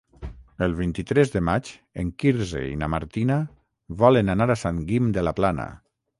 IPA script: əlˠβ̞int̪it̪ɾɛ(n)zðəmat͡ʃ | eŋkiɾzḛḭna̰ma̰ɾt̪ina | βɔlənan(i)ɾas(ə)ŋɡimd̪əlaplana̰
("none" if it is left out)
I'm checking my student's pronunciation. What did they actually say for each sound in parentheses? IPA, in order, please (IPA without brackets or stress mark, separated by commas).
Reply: none, a, a